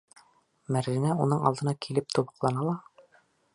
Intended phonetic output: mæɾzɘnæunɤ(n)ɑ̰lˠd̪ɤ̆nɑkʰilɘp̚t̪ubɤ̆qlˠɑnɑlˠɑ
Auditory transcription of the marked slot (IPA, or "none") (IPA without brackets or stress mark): ɴ